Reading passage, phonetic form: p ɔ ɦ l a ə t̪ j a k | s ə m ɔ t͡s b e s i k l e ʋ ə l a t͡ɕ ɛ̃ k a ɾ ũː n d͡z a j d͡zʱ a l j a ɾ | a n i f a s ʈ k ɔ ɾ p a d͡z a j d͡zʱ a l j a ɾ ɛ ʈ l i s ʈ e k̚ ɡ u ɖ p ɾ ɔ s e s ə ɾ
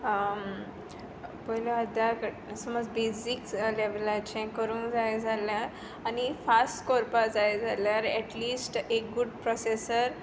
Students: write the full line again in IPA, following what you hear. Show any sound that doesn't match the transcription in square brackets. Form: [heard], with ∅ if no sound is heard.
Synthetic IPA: p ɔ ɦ l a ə [d̪] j a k | s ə m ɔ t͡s b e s i k l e ʋ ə l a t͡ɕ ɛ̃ k [ə] ɾ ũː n d͡z a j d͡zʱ a l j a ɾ | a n i f a s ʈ k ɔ ɾ p a d͡z a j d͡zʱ a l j a ɾ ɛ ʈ l i s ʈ e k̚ ɡ u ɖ p ɾ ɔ s e s ə ɾ